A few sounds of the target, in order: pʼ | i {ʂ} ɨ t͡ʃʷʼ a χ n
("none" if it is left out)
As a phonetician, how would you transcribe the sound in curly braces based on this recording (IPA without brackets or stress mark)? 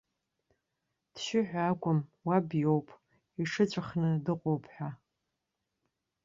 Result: ʂ